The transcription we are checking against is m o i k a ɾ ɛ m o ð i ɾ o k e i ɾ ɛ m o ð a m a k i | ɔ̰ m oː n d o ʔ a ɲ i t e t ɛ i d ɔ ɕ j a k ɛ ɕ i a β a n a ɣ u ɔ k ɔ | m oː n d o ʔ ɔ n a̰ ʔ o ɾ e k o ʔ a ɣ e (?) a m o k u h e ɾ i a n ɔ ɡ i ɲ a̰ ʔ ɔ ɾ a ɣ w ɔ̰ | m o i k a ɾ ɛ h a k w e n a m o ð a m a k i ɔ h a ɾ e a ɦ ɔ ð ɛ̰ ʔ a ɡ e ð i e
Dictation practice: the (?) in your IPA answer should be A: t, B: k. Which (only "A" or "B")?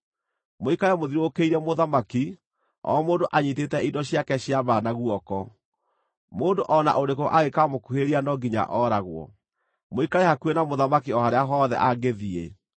B